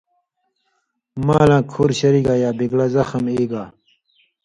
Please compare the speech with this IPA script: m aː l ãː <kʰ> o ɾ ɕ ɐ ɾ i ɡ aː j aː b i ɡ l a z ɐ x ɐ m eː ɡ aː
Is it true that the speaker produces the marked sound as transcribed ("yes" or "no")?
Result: yes